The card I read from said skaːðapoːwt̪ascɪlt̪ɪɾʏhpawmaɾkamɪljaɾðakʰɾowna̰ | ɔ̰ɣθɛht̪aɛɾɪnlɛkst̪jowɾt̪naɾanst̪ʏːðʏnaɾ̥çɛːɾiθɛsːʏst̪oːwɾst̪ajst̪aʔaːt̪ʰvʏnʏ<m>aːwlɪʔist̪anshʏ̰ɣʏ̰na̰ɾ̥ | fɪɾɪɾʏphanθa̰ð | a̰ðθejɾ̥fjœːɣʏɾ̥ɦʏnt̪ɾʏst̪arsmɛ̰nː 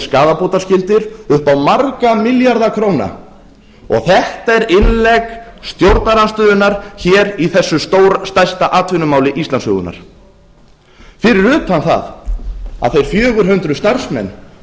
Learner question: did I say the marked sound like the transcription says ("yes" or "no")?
yes